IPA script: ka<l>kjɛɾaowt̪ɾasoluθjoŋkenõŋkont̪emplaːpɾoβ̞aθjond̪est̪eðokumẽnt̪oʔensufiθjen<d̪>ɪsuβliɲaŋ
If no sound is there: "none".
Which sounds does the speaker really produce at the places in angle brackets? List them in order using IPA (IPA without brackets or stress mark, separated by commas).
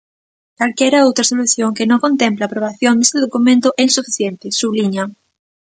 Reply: l, t̪